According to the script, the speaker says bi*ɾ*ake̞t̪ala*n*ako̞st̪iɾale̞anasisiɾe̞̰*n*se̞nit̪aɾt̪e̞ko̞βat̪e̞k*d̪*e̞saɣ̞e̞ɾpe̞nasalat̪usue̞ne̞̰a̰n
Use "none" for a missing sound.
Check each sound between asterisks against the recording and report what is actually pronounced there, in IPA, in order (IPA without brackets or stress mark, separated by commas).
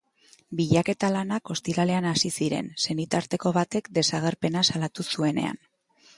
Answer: ʎ, n, n, d̪